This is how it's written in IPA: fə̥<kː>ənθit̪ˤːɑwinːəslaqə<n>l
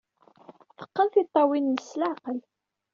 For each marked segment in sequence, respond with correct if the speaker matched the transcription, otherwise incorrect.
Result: incorrect: qː, incorrect: none

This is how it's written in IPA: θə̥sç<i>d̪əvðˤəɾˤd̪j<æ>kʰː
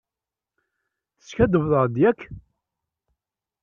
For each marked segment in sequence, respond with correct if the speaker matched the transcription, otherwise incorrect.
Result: incorrect: æ, correct

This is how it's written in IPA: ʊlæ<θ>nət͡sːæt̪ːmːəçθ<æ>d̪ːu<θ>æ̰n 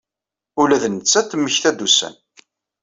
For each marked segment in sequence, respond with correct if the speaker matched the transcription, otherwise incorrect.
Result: incorrect: ð, correct, incorrect: s

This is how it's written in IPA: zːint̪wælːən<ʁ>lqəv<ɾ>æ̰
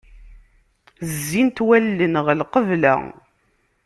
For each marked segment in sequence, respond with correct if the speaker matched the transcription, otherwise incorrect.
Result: correct, incorrect: l

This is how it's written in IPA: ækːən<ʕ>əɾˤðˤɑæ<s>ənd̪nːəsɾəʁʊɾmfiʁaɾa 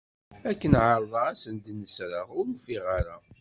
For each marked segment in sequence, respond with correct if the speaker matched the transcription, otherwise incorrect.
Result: correct, correct

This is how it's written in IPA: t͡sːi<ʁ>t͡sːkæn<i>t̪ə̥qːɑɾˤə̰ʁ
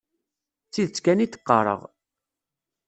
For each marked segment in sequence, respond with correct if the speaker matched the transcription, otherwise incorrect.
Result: incorrect: ð, correct

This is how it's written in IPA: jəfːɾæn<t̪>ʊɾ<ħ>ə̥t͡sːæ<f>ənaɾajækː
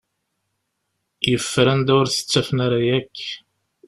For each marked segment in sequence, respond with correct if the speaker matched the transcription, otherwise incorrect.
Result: incorrect: d̪, incorrect: θ, correct

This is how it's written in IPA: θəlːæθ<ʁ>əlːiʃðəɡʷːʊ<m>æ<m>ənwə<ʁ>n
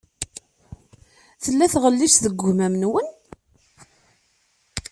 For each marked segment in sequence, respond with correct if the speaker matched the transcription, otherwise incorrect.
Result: correct, correct, correct, incorrect: none

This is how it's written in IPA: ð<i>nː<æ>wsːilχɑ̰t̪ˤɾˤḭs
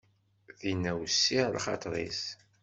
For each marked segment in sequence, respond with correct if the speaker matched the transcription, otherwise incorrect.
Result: correct, correct

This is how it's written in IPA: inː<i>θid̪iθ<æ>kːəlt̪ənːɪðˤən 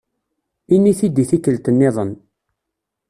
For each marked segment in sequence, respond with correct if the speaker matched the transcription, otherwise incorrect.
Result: correct, incorrect: i

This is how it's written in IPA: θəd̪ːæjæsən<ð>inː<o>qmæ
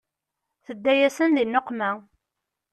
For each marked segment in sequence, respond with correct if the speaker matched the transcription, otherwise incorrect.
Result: correct, correct

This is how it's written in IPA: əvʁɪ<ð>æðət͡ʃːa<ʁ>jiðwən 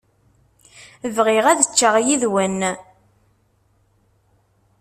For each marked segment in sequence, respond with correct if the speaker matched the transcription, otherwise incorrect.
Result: incorrect: ʁ, correct

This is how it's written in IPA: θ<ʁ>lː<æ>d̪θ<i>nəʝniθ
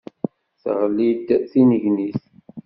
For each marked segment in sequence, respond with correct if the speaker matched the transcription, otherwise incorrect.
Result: correct, incorrect: i, correct

